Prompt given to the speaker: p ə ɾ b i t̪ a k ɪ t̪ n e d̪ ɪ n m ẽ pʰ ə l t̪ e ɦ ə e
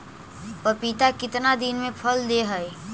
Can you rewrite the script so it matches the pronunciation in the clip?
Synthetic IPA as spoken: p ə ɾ p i t̪ a k ɪ t̪ n a d̪ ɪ n m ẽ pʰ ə l d̪ e ɦ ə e